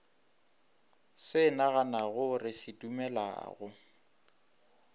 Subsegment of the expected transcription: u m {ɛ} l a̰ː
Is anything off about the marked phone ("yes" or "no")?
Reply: no